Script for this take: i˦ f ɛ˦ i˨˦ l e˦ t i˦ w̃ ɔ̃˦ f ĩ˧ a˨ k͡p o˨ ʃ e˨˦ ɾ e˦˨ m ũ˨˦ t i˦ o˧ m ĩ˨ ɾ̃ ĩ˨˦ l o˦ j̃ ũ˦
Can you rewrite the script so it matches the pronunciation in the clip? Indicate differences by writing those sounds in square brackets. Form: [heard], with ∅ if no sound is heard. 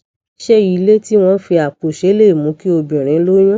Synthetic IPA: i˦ [ʃ] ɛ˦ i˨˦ l e˦ t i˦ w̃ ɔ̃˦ f [i˧] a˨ k͡p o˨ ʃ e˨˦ [l] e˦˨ m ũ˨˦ [k] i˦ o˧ [b] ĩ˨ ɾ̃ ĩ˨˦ l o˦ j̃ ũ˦